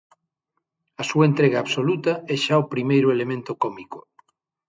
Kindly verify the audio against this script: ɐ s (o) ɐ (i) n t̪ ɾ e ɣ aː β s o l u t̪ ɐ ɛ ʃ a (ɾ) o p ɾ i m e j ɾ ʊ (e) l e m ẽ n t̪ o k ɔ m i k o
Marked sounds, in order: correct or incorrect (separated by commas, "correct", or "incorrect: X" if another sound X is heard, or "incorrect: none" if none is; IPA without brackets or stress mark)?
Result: incorrect: u, incorrect: e, incorrect: none, correct